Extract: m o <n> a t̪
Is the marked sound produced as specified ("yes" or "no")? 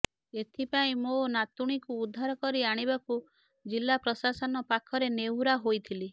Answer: yes